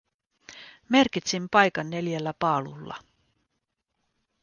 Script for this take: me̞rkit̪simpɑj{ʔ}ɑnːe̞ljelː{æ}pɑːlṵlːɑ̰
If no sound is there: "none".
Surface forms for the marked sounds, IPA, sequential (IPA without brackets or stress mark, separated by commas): k, æ